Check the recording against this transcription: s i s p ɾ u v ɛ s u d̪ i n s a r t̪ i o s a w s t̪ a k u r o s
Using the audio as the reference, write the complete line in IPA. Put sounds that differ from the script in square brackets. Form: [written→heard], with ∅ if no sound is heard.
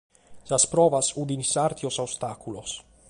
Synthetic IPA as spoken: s [i→a] s p ɾ [u→ɔ] v [ɛ→a] s u d̪ i n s a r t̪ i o s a w s t̪ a k u [r→l] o s